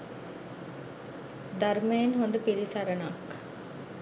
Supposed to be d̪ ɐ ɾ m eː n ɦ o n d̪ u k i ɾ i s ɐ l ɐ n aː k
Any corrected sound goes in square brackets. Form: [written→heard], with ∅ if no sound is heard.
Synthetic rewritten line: d̪ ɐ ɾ m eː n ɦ o n d̪ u [k→p] i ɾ i s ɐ [l→ɾ] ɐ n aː k